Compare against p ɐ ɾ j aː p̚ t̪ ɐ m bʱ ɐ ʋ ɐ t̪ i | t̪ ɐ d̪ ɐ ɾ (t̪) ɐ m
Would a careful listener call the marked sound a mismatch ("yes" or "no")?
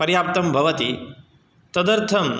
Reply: yes